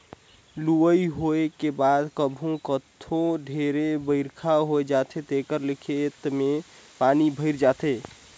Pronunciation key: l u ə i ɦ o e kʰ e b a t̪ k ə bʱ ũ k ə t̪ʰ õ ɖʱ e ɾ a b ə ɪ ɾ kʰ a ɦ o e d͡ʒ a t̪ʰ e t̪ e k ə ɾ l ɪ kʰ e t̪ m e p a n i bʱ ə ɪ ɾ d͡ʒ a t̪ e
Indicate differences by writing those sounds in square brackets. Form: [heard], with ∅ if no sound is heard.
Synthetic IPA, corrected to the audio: l u ə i ɦ o e [k] e b a [d̪] k ə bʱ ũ k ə t̪ʰ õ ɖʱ e ɾ [e] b ə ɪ ɾ kʰ a ɦ o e d͡ʒ a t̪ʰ e t̪ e k ə ɾ l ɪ kʰ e t̪ m e p a n i bʱ ə ɪ ɾ d͡ʒ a t̪ e